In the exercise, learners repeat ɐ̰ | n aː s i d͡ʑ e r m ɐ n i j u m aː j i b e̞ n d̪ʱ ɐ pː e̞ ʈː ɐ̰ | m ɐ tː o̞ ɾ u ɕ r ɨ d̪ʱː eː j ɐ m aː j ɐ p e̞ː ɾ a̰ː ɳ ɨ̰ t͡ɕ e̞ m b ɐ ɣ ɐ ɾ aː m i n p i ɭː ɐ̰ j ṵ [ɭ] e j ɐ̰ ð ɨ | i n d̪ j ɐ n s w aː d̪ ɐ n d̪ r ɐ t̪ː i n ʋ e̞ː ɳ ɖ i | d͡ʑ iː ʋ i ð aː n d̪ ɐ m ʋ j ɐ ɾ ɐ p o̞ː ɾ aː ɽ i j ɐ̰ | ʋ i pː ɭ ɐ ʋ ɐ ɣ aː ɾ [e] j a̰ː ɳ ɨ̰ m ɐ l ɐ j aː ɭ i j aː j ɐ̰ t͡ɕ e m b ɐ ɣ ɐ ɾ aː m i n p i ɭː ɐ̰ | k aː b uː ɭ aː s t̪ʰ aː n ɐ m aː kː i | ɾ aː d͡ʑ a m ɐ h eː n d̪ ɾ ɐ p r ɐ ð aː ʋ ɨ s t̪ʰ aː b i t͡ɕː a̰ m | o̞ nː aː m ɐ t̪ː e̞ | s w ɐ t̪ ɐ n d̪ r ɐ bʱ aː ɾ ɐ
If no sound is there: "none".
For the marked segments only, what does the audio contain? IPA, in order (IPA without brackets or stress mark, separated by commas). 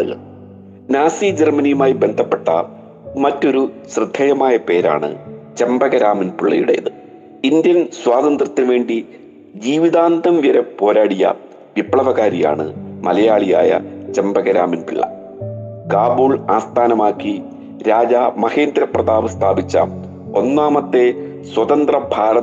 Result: ɽ, i